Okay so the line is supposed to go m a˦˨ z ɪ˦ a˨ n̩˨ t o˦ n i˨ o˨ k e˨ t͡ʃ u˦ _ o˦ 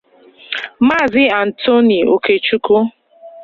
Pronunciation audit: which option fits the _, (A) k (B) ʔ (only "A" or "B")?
A